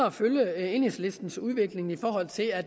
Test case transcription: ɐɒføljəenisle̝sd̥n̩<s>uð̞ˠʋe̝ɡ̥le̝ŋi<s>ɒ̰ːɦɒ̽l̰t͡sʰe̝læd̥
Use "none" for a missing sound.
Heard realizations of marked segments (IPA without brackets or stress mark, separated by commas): s, f